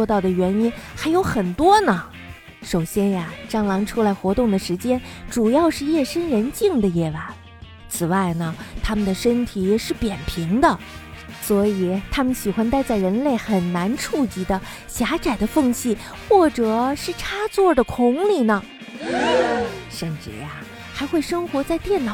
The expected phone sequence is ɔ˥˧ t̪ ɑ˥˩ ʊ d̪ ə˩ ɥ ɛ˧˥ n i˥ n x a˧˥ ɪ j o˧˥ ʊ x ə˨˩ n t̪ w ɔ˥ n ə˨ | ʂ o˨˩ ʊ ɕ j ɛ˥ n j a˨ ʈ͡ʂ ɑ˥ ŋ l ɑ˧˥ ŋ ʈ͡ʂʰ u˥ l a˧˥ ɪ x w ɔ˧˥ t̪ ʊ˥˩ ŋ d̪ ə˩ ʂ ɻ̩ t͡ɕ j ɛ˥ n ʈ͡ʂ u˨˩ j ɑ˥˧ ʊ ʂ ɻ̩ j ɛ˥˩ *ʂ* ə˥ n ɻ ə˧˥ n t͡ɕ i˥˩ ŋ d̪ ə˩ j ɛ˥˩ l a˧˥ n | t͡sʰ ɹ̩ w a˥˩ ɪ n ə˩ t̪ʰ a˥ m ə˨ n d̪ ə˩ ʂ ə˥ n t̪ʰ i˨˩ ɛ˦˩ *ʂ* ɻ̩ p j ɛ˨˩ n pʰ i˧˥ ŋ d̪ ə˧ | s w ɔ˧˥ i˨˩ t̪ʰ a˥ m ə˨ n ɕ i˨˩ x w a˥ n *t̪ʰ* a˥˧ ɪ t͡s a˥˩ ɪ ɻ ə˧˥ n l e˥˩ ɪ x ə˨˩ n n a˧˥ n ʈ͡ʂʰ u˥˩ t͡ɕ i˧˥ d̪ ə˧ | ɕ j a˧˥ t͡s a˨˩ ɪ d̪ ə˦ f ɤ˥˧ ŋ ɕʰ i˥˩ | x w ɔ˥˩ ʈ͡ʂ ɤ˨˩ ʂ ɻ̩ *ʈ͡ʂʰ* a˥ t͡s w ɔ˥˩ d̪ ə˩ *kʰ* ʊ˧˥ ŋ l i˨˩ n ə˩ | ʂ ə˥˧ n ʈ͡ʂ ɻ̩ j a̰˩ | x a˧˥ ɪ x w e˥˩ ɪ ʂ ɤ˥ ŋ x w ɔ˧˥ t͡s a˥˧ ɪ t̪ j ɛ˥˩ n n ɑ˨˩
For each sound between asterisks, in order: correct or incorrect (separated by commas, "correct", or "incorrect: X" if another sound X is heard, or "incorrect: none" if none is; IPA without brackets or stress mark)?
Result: correct, correct, incorrect: t̪, correct, correct